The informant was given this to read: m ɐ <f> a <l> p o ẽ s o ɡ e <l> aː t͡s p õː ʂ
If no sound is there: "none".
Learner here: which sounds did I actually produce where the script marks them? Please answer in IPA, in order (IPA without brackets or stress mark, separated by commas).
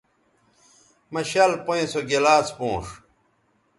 ɕ, l, l